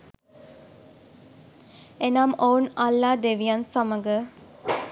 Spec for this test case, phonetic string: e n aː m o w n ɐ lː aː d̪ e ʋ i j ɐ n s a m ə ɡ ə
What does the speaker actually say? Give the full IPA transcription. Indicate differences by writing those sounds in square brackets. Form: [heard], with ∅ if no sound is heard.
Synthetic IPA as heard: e n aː m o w n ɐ lː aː d̪ e ʋ i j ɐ n s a m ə ɡ ə